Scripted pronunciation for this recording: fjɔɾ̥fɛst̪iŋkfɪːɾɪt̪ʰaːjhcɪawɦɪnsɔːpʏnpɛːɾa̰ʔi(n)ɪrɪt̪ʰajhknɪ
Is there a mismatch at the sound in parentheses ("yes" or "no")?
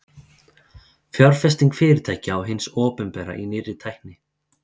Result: no